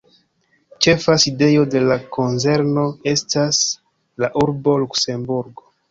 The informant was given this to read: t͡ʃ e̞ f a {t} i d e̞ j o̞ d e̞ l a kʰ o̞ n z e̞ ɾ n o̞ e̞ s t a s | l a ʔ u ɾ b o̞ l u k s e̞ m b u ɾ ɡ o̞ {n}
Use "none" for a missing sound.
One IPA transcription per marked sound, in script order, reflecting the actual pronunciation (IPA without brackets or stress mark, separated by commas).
s, none